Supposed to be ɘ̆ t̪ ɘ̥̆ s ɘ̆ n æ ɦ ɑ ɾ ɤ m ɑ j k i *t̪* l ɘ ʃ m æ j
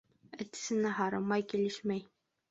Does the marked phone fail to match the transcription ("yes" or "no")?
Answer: yes